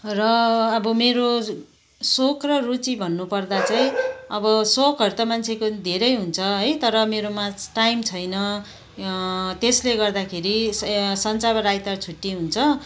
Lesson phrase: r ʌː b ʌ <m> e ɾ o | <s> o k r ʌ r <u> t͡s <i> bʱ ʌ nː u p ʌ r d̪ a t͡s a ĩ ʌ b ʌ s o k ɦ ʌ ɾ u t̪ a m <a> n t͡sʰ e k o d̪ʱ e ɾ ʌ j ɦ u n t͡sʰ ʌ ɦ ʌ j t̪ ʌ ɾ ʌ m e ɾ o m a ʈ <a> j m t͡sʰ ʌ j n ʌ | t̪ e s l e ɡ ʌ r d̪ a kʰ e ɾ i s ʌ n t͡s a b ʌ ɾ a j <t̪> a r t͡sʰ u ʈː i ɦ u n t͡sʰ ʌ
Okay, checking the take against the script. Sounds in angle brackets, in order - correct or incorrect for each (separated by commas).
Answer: correct, correct, correct, correct, correct, correct, correct